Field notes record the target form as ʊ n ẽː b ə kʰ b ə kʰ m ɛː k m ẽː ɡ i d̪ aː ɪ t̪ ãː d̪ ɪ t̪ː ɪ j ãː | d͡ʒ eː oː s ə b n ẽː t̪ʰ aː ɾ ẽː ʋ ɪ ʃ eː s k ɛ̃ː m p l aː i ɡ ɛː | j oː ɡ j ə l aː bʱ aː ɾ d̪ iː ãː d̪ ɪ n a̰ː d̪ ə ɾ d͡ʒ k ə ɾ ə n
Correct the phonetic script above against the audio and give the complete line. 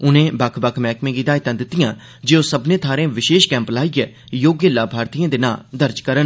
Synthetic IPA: ʊ n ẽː b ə kʰ b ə kʰ m ɛː k m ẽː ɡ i d̪ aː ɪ t̪ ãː d̪ ɪ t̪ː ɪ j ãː | d͡ʒ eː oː s ə b n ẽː t̪ʰ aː ɾ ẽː ʋ ɪ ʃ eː ʃ k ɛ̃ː m p l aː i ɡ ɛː | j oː ɡ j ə l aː bʱ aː ɾ t̪ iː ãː d̪ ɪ n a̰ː d̪ ə ɾ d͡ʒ k ə ɾ ə n